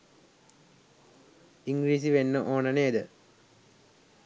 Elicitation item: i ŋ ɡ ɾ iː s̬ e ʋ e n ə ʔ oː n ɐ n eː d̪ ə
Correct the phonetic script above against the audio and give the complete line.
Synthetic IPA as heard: i ŋ ɡ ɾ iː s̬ i ʋ e nː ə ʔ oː n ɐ n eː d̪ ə

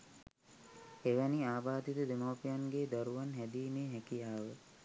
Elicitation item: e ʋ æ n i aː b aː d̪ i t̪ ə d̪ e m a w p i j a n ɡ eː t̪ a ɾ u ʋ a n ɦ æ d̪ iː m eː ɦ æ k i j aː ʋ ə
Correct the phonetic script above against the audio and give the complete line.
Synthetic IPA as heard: e ʋ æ n i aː b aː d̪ i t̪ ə d̪ e m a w p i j a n ɡ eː d̪ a ɾ u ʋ a n ɦ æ d̪ iː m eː ɦ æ k i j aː ʋ ə

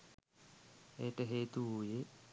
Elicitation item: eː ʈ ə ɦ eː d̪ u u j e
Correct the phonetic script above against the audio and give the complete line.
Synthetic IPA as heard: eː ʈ ə ɦ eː t̪ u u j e

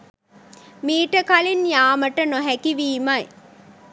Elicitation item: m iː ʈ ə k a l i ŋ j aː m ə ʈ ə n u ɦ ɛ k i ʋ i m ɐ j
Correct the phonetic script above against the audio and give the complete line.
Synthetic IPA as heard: m iː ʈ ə k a l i n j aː m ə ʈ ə n o ɦ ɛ k i ʋ iː m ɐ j

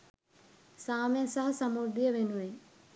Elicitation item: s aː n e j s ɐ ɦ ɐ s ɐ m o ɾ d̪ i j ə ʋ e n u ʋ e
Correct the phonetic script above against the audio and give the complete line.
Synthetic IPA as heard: s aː m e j s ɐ ɦ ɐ s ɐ m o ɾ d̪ i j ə ʋ e n u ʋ e

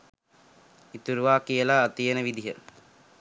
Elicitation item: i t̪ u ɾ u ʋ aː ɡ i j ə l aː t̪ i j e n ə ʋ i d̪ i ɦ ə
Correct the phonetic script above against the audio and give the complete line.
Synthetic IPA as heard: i t̪ u ɾ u ʋ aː k i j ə l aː t̪ i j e n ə ʋ i d̪ i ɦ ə

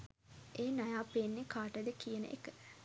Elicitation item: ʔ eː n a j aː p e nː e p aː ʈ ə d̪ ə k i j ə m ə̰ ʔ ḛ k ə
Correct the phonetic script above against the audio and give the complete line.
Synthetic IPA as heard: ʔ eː n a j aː p e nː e k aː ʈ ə d̪ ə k i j ə n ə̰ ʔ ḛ k ə

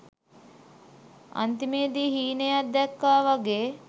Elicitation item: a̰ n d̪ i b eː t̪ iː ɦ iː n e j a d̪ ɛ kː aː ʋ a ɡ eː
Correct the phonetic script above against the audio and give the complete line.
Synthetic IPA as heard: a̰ n t̪ i m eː d̪ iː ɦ iː n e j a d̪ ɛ kː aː ʋ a ɡ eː

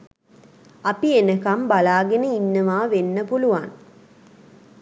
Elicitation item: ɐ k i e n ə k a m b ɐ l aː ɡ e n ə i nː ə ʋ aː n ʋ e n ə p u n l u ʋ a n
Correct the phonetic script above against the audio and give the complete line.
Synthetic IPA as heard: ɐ p i e n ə k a m b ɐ l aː ɡ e n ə i nː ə ʋ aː ʋ e nː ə p u l u ʋ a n

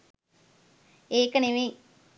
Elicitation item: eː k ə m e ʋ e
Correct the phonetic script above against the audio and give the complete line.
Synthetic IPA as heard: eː k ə n e ʋ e

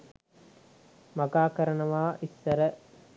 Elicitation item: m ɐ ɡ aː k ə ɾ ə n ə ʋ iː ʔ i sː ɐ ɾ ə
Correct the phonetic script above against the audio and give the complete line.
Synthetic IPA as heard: m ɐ ɡ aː k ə ɾ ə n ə ʋ aː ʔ i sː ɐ ɾ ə

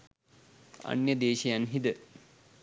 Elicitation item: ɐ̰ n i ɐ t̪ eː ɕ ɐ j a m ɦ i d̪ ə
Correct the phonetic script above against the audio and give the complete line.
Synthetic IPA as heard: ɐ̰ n j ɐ d̪ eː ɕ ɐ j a n ɦ i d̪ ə

